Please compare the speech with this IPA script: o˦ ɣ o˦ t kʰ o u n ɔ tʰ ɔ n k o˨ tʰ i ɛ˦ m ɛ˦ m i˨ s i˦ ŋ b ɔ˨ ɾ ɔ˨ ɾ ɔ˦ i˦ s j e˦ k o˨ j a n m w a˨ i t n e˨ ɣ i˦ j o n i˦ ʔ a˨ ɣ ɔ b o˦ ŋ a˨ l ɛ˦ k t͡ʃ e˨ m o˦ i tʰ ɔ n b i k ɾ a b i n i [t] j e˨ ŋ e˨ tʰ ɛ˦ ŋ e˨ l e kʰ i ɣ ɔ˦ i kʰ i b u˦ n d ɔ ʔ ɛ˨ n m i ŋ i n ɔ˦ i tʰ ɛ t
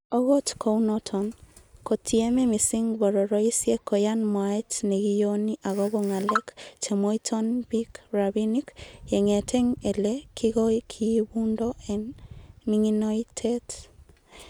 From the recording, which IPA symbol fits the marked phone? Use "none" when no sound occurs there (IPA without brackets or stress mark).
k